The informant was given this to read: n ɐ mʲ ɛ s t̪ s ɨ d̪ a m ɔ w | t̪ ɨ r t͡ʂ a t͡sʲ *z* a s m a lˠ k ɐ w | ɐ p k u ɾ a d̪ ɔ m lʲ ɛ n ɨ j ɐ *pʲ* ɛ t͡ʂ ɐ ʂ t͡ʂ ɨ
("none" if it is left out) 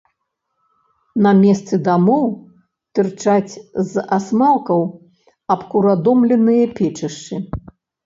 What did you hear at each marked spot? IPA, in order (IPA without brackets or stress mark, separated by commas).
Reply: z, pʲ